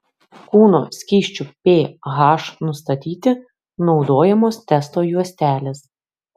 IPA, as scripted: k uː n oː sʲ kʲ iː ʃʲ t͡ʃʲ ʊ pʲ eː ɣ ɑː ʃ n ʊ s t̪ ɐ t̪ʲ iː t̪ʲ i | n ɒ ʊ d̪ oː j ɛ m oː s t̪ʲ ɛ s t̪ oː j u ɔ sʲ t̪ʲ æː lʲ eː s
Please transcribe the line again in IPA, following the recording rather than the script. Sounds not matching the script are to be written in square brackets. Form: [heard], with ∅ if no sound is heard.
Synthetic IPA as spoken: k uː n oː sʲ kʲ iː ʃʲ t͡ʃʲ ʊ pʲ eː ɣ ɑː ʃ n ʊ s t̪ ɐ t̪ʲ iː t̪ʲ [ɪ] | n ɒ ʊ d̪ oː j ɛ m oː s t̪ʲ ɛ s t̪ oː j u ɔ sʲ t̪ʲ æː lʲ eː s

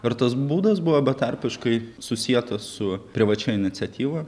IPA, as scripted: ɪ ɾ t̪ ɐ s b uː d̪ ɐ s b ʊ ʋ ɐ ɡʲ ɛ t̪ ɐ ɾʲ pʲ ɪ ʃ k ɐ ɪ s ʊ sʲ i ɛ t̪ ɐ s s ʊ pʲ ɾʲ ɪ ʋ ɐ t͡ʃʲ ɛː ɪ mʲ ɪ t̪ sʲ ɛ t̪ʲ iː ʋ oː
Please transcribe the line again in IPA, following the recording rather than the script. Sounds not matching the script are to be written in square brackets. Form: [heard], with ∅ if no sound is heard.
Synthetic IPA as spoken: ɪ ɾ t̪ ɐ s b uː d̪ ɐ s b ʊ ʋ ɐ [bʲ] ɛ t̪ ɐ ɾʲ pʲ ɪ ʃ k ɐ ɪ s ʊ sʲ i ɛ t̪ ɐ s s ʊ pʲ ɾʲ ɪ ʋ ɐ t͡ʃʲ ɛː ɪ [nʲ] ɪ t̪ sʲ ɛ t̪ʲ iː ʋ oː

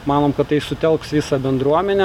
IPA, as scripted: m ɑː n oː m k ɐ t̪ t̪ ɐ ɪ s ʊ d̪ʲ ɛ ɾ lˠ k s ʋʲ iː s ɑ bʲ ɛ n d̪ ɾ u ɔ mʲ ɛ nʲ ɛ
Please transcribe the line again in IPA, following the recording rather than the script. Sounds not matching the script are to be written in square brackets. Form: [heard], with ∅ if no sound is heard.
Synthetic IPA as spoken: m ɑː n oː m k ɐ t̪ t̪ ɐ ɪ s ʊ [t̪ʲ] ɛ [∅] lˠ k s ʋʲ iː s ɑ bʲ ɛ n d̪ ɾ u ɔ mʲ ɛ nʲ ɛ

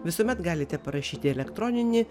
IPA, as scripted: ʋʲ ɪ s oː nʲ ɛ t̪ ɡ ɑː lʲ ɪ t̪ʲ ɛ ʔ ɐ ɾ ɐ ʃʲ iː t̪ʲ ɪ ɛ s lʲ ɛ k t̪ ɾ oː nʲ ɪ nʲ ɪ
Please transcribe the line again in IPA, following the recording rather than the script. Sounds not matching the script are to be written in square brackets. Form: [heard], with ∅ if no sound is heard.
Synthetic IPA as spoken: ʋʲ ɪ s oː [mʲ] ɛ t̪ ɡ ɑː lʲ ɪ t̪ʲ ɛ [p] ɐ ɾ ɐ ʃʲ iː t̪ʲ ɪ ɛ [∅] lʲ ɛ k t̪ ɾ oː nʲ ɪ nʲ ɪ

